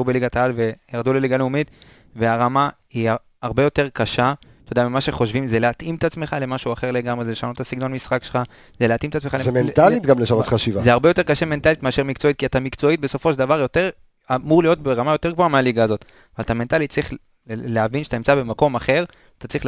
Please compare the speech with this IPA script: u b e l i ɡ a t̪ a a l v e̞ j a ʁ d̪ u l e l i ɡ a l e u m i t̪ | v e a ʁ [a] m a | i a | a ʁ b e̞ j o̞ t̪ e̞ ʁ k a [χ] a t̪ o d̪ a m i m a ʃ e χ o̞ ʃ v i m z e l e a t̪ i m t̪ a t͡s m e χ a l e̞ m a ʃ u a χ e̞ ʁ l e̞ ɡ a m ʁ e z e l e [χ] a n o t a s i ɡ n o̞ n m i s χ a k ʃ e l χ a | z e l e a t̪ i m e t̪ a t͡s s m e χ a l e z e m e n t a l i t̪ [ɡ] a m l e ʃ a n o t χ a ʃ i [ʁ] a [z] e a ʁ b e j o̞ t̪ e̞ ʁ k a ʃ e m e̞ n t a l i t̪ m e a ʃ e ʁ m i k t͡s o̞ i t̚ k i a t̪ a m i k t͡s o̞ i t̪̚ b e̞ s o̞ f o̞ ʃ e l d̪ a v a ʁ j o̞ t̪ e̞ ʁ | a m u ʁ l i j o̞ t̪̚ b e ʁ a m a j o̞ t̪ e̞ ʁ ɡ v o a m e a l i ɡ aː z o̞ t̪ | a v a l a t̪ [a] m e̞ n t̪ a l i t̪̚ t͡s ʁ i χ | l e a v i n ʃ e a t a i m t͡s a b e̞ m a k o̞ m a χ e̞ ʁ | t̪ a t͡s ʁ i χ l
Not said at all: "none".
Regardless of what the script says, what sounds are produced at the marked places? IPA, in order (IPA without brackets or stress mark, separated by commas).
a, ʃ, ʃ, ɡ, v, z, a